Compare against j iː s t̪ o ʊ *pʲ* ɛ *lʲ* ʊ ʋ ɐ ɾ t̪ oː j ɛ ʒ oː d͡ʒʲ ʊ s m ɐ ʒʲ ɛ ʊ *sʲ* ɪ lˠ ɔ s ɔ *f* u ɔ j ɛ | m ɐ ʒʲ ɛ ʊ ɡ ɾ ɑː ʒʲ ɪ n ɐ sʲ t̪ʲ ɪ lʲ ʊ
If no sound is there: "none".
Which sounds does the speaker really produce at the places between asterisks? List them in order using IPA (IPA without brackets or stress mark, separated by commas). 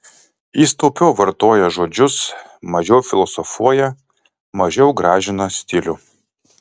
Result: pʲ, none, fʲ, f